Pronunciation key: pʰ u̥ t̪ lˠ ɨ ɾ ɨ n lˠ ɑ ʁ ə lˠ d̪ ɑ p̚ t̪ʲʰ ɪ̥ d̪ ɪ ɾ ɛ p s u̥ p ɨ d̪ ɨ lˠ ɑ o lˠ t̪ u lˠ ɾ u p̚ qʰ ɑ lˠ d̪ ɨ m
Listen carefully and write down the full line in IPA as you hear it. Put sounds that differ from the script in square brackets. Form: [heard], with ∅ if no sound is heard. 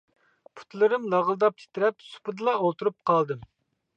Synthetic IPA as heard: pʰ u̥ t̪ lˠ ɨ ɾ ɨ [m] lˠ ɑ ʁ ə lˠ d̪ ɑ p̚ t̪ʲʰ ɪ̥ [t̪] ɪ ɾ ɛ p s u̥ p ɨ d̪ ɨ lˠ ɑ o lˠ t̪ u [∅] ɾ u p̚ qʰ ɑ lˠ d̪ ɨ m